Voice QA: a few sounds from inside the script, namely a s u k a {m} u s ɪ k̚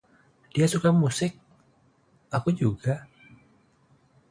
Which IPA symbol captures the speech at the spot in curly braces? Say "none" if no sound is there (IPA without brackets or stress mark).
m